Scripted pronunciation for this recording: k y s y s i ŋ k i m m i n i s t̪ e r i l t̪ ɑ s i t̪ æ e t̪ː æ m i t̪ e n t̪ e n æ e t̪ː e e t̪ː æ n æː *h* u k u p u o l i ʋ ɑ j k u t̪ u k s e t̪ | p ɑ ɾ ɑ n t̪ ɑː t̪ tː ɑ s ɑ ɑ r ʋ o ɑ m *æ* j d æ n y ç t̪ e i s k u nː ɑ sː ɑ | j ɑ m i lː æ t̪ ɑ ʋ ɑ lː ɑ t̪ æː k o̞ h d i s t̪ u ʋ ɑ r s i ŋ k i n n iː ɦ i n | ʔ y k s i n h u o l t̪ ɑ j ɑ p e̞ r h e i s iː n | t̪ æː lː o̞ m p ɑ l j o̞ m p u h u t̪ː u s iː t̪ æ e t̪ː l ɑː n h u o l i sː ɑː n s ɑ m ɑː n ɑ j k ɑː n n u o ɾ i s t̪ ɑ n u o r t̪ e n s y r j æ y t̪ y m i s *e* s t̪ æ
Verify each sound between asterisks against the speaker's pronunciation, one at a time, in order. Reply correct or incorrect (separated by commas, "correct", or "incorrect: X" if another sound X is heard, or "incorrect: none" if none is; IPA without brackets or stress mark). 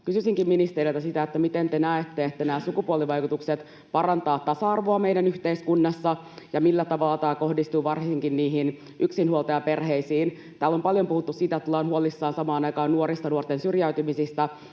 incorrect: s, incorrect: e, incorrect: i